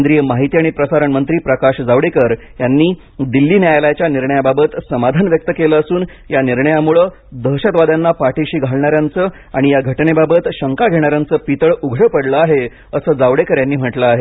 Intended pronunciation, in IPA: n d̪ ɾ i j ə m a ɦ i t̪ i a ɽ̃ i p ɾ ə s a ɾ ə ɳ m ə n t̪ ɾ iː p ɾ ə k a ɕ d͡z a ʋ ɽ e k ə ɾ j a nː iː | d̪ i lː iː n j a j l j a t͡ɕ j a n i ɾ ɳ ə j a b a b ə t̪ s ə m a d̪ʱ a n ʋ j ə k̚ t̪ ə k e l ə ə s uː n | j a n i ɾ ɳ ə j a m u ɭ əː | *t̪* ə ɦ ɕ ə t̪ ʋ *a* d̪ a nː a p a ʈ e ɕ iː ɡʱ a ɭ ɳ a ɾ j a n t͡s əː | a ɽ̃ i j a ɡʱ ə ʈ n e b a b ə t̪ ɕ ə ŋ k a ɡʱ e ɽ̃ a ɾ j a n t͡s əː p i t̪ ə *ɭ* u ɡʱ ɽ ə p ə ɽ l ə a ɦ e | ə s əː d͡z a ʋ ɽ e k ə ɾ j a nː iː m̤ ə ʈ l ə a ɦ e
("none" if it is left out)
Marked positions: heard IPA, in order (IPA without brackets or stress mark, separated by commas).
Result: d̪, a, ɭ